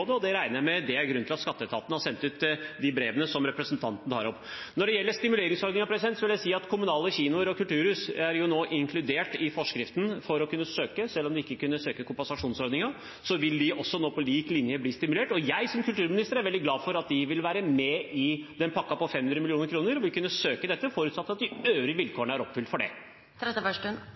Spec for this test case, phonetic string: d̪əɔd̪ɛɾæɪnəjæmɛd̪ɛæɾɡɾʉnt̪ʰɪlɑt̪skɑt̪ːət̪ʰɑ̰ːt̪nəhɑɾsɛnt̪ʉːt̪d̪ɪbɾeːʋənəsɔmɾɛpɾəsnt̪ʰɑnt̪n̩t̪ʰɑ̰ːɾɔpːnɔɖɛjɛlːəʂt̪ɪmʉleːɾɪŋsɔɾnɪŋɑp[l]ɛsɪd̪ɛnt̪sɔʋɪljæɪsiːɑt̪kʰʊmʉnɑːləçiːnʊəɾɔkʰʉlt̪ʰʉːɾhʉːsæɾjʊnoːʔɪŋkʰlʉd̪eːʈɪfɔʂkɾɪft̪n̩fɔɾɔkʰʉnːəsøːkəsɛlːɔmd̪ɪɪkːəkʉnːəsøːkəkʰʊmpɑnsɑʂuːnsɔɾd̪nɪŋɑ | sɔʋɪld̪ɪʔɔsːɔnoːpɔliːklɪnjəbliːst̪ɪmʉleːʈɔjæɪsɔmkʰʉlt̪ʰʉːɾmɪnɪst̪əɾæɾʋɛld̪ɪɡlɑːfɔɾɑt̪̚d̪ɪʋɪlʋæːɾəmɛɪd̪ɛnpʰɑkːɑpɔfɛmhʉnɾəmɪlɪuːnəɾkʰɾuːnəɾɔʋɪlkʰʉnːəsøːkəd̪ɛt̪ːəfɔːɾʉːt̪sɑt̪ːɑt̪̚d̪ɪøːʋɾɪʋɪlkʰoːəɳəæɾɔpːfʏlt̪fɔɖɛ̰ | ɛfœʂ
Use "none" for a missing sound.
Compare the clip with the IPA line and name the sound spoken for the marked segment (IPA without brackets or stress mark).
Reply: ɾ